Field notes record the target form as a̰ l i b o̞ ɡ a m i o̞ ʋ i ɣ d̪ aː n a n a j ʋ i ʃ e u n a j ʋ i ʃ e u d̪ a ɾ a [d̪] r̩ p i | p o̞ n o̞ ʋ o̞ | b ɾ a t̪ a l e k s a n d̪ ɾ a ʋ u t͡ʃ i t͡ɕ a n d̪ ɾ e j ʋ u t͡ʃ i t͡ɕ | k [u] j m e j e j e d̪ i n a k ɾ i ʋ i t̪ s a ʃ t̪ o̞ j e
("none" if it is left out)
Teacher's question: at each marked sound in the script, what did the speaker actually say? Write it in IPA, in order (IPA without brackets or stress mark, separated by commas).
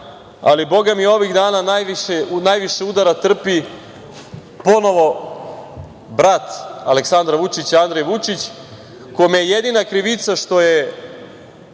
t̪, o